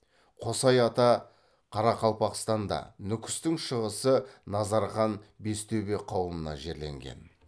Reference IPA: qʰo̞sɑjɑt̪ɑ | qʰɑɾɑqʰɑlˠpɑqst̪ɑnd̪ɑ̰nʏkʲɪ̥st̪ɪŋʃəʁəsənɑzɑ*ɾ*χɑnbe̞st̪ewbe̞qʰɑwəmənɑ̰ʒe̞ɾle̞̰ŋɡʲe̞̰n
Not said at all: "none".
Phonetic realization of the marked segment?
ɾ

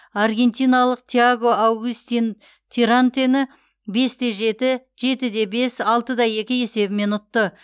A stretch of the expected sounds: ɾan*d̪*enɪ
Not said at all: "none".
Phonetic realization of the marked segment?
t̪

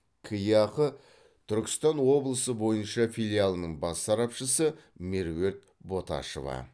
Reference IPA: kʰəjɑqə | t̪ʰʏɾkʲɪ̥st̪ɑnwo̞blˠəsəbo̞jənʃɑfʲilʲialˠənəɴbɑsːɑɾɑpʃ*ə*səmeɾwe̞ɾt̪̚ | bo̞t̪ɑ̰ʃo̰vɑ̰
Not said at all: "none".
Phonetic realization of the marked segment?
ə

